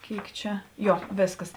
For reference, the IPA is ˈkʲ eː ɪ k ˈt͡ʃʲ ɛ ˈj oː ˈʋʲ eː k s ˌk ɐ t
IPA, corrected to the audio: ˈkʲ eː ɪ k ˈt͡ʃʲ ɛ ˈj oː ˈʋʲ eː s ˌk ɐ s